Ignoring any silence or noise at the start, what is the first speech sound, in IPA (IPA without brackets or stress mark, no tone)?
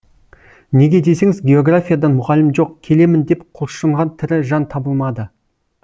n